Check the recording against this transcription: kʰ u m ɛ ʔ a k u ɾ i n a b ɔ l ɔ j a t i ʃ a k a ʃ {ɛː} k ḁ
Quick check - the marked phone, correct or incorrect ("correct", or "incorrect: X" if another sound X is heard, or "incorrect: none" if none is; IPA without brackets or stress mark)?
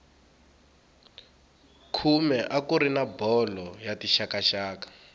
incorrect: aː